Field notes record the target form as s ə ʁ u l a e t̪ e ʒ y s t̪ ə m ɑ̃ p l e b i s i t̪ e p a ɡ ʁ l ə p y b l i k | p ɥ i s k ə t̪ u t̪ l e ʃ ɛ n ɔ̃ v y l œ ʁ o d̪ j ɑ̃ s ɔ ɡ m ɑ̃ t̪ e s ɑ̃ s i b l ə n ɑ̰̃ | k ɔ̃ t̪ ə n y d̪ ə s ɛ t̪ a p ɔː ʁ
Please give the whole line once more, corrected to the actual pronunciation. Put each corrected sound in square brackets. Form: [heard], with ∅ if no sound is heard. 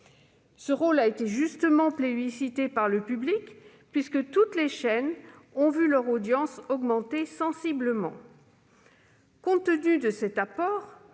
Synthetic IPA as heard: s ə ʁ [o] l a e t̪ e ʒ y s t̪ ə m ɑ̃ p l e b i s i t̪ e p a [∅] ʁ l ə p y b l i k | p ɥ i s k ə t̪ u t̪ l e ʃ ɛ n ɔ̃ v y l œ ʁ o d̪ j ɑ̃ s ɔ ɡ m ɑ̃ t̪ e s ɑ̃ s i b l ə [m] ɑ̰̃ | k ɔ̃ t̪ ə n y d̪ ə s ɛ t̪ a p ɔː ʁ